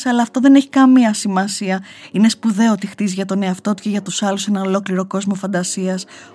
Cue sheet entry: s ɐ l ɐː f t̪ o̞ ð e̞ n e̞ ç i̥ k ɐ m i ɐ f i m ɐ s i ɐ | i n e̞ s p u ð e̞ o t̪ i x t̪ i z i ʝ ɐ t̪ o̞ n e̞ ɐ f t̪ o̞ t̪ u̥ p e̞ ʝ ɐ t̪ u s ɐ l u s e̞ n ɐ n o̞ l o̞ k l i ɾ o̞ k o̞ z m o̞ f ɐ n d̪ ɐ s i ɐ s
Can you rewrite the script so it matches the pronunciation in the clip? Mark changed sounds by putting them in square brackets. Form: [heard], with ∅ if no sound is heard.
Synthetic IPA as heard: s ɐ l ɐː f t̪ o̞ ð e̞ n e̞ ç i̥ k ɐ m i ɐ [s] i m ɐ s i ɐ | i n e̞ s p u ð e̞ o t̪ i x t̪ i z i ʝ ɐ t̪ o̞ n e̞ ɐ f t̪ o̞ t̪ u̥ [c] e̞ ʝ ɐ t̪ u s ɐ l u s e̞ n ɐ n o̞ l o̞ k l i ɾ o̞ k o̞ z m o̞ f ɐ n d̪ ɐ s i ɐ s